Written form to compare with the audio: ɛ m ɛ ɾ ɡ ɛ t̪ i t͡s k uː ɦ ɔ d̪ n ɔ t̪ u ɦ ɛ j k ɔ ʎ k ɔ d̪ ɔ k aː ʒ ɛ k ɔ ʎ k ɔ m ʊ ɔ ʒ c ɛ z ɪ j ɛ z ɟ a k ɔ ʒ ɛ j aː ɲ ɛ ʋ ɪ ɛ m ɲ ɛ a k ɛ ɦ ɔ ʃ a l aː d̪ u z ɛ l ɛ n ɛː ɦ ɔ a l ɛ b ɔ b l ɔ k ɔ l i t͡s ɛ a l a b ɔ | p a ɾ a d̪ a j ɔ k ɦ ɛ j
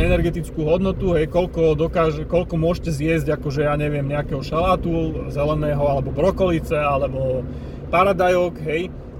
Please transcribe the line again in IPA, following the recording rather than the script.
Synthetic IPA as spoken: ɛ n ɛ ɾ ɡ ɛ t̪ i t͡s k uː ɦ ɔ d̪ n ɔ t̪ u ɦ ɛ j k ɔ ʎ k ɔ d̪ ɔ k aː ʒ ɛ k ɔ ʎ k ɔ m ʊ ɔ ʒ c ɛ z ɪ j ɛ z ɟ a k ɔ ʒ ɛ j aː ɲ ɛ ʋ ɪ ɛ m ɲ ɛ a k ɛ ɦ ɔ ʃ a l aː t̪ u z ɛ l ɛ n ɛː ɦ ɔ a l ɛ b ɔ b ɾ ɔ k ɔ l i t͡s ɛ a l ɛ b ɔ | p a ɾ a d̪ a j ɔ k ɦ ɛ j